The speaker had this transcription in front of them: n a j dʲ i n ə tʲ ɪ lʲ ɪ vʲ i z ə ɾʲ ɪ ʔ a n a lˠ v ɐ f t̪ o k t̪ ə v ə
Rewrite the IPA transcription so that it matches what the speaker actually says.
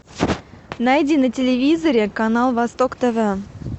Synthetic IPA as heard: n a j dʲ i n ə tʲ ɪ lʲ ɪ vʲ i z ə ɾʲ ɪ k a n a lˠ v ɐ s t̪ o k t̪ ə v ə